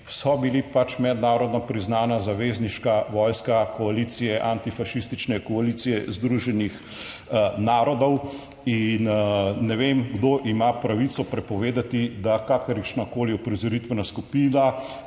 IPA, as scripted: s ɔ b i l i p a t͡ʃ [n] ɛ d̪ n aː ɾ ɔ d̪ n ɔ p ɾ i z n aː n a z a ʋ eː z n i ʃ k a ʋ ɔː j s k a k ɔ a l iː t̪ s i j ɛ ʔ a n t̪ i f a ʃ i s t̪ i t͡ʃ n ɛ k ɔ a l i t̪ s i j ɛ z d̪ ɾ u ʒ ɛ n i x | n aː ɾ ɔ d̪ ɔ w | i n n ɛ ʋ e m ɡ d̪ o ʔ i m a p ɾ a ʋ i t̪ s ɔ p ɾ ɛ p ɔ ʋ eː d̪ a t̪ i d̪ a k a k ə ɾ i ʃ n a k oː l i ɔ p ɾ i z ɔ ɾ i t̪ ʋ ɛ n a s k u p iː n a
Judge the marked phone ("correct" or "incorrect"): incorrect